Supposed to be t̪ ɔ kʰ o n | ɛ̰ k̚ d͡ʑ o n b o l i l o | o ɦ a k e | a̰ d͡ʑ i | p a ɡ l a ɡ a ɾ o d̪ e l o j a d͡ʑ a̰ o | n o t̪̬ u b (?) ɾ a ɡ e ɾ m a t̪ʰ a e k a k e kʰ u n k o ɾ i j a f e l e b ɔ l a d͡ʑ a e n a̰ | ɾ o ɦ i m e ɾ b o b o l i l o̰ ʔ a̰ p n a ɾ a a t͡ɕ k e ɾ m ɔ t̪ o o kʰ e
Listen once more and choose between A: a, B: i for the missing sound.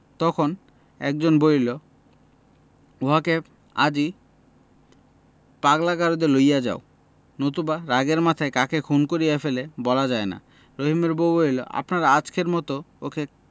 A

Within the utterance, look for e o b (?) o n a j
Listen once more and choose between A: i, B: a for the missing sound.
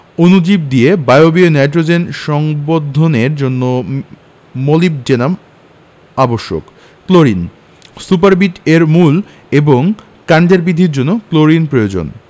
A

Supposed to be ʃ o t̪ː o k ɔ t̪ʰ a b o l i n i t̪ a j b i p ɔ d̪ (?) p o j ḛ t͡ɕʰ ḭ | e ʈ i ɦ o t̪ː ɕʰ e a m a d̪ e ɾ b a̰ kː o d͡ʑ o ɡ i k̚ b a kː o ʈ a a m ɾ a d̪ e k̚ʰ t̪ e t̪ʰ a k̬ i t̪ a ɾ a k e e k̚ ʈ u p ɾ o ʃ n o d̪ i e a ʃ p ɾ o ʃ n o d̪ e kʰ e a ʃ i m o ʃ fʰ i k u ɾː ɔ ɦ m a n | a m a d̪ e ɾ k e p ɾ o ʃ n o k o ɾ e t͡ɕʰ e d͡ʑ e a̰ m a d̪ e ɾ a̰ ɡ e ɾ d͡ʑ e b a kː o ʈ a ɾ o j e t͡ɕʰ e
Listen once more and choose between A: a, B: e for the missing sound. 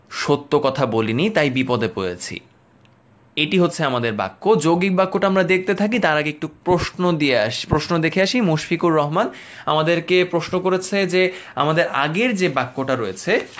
B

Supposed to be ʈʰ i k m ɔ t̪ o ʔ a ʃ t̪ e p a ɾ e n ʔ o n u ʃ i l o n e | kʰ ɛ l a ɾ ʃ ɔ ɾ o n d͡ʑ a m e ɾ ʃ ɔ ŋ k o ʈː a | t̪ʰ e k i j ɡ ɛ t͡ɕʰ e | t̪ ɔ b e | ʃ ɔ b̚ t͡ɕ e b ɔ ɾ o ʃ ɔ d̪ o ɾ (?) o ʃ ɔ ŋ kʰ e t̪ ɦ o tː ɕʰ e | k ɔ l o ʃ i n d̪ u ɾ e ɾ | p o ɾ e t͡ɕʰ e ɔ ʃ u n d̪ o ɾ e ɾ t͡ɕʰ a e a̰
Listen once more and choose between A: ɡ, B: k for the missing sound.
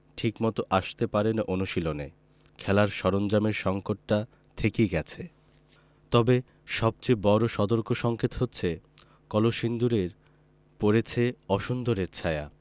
B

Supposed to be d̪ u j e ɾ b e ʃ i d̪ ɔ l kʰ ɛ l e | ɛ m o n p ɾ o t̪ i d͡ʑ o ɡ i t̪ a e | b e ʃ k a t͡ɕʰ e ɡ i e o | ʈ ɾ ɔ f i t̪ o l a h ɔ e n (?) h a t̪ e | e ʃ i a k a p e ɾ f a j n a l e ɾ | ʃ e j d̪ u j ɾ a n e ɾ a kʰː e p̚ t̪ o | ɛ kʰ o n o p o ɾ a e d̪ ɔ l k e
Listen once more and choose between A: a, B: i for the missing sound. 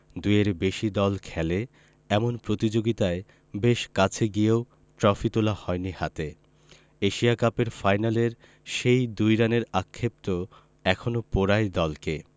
B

